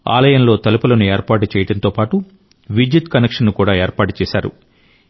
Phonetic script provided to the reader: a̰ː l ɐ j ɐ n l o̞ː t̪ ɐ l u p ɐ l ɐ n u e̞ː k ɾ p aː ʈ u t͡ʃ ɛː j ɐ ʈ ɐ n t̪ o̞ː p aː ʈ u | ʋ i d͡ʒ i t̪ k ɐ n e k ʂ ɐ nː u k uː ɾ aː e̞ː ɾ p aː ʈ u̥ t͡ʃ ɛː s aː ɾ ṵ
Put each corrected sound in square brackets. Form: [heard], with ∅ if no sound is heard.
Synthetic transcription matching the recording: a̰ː l ɐ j ɐ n l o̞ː t̪ ɐ l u p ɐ l ɐ n u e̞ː [∅] ɾ p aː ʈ u t͡ʃ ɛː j ɐ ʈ ɐ n t̪ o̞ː p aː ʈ u | ʋ i d͡ʒ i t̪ k ɐ n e k ʂ ɐ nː u k uː [ɽ] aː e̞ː ɾ p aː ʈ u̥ t͡ʃ ɛː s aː ɾ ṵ